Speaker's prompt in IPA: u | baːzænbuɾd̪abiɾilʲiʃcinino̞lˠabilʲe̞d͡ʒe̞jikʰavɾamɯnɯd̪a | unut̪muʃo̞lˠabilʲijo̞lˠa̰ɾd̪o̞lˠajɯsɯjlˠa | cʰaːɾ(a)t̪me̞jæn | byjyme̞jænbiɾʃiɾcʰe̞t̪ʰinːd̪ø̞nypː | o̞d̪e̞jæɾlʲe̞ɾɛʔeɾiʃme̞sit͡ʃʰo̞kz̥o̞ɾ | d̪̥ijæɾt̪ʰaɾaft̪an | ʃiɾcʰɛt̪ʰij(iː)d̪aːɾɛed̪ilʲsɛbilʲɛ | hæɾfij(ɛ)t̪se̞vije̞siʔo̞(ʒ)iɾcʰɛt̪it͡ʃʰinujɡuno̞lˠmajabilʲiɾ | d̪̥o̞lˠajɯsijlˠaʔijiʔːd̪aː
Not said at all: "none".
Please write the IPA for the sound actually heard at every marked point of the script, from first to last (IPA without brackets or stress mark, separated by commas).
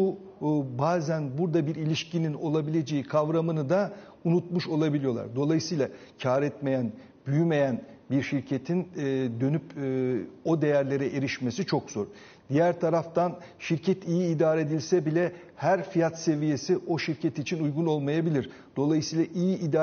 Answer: ɛ, iː, a, ʃ